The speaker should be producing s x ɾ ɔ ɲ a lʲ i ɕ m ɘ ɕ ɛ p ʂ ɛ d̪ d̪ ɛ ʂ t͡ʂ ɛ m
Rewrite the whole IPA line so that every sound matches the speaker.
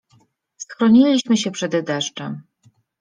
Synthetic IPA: s x ɾ ɔ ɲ i lʲ i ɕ m ɘ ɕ ɛ p ʂ ɛ d̪ d̪ ɛ ʂ t͡ʂ ɛ m

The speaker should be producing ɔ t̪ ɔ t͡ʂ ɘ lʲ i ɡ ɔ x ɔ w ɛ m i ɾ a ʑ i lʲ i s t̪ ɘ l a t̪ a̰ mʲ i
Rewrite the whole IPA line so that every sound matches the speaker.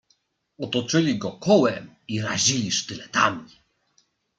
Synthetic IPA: ɔ t̪ ɔ t͡ʂ ɘ lʲ i ɡ ɔ k ɔ w ɛ m i ɾ a ʑ i lʲ i ʂ t̪ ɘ l ɛ t̪ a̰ mʲ i

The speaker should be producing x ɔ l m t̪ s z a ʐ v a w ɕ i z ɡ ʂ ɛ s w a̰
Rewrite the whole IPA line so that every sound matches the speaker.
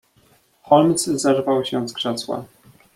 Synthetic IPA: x ɔ l m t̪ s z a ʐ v a w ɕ ɛ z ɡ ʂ ɛ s w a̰

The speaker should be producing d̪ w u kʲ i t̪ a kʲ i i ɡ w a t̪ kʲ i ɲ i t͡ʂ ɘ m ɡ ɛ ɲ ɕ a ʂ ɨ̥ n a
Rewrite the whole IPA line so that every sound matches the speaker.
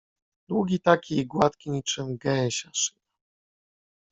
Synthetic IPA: d̪ w u ɡʲ i t̪ a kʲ i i ɡ w a t̪ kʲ i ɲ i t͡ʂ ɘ m ɡ ɛ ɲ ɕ a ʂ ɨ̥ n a

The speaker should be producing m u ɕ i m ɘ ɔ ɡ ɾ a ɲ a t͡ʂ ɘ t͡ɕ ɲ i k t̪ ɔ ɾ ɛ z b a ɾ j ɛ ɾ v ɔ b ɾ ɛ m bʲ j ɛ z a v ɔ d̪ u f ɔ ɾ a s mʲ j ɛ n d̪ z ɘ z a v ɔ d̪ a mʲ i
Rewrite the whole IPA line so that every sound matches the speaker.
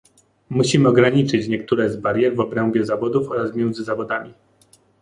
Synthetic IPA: m u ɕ i m ɘ ɔ ɡ ɾ a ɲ i t͡ʂ ɘ t͡ɕ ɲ ɛ k t̪ u ɾ ɛ z b a ɾ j ɛ ɾ v ɔ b ɾ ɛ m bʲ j ɛ z a v ɔ d̪ u f ɔ ɾ a s mʲ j ɛ n d̪ z ɘ z a v ɔ d̪ a mʲ i

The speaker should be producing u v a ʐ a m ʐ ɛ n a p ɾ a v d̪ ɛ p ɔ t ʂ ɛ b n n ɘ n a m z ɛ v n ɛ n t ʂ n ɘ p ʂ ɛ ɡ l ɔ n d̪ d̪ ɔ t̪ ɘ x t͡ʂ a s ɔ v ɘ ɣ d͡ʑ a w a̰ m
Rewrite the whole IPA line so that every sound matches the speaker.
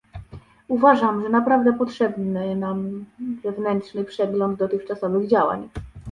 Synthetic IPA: u v a ʐ a m ʐ ɛ n a p ɾ a v d̪ ɛ p ɔ t ʂ ɛ b n n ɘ n a m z ɛ v n ɛ n t ʂ n ɘ p ʂ ɛ ɡ l ɔ n d̪ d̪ ɔ t̪ ɘ x t͡ʂ a s ɔ v ɘ ɣ d͡ʑ a w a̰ ɲ

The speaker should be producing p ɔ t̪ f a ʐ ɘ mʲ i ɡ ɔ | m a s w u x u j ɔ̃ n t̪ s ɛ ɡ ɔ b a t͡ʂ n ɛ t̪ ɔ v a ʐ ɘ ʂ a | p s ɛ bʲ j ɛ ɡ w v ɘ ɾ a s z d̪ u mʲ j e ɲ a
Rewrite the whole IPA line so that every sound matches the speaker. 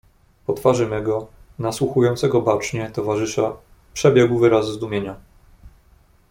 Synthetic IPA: p ɔ t̪ f a ʐ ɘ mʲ ɛ ɡ ɔ | n a s w u x u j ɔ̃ n t̪ s ɛ ɡ ɔ b a t͡ʂ ɲ ɛ t̪ ɔ v a ʐ ɘ ʂ a | p ʂ ɛ bʲ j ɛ ɡ w v ɘ ɾ a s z d̪ u mʲ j e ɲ a

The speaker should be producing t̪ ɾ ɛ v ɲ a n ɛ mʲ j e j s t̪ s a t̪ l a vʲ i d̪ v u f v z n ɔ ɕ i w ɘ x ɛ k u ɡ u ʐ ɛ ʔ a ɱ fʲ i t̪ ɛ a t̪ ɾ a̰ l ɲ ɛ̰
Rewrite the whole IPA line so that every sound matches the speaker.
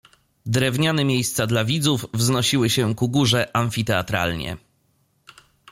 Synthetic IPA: d̪ ɾ ɛ v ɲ a n ɛ mʲ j e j s t̪ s a d̪ l a vʲ i d̪ z u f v z n ɔ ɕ i w ɘ ɕ ɛ k u ɡ u ʐ ɛ ʔ a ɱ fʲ i t̪ ɛ a t̪ ɾ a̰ l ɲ ɛ̰

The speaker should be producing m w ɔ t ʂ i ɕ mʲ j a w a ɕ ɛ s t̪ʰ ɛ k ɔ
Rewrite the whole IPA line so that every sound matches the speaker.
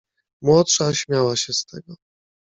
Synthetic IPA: m w ɔ t ʂ a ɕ mʲ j a w a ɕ ɛ s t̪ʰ ɛ ɡ ɔ

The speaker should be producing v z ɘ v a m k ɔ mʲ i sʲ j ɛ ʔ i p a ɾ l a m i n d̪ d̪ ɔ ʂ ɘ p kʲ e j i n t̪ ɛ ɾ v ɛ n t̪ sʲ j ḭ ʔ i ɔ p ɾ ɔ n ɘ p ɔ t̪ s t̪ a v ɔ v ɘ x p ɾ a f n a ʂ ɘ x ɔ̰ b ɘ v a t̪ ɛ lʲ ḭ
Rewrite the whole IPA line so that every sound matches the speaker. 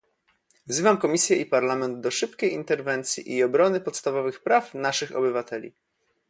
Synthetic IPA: v z ɘ v a m k ɔ mʲ i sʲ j ɛ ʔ i p a ɾ l a m ɛ n d̪ d̪ ɔ ʂ ɘ p kʲ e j i n t̪ ɛ ɾ v ɛ n t̪ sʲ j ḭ ʔ i ɔ b ɾ ɔ n ɘ p ɔ t̪ s t̪ a v ɔ v ɘ x p ɾ a f n a ʂ ɘ x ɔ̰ b ɘ v a t̪ ɛ lʲ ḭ

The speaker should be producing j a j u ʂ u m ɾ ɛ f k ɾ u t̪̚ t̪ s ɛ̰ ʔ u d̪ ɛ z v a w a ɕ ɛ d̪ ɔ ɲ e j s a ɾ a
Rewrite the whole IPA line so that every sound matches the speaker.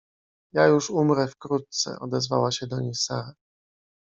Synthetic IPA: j a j u ʂ u m ɾ ɛ f k ɾ u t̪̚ t̪ s ɛ̰ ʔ ɔ d̪ ɛ z v a w a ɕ ɛ d̪ ɔ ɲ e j s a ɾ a

